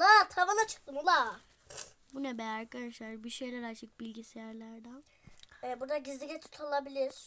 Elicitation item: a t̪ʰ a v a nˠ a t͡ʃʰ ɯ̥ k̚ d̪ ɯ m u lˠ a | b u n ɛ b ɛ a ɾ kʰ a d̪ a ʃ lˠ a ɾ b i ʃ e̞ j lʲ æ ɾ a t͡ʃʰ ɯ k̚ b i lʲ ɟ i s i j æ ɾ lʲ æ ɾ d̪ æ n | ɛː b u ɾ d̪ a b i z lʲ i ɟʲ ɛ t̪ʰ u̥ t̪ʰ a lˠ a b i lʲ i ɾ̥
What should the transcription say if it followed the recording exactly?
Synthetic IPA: a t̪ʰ a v a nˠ a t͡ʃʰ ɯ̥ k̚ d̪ ɯ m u lˠ a | b u n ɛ b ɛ a ɾ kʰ a d̪ a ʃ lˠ a ɾ b i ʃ e̞ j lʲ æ ɾ a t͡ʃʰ ɯ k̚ b i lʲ ɟ i s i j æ ɾ lʲ æ ɾ d̪ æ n | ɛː b u ɾ d̪ a ɟ i z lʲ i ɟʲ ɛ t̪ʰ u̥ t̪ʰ a lˠ a b i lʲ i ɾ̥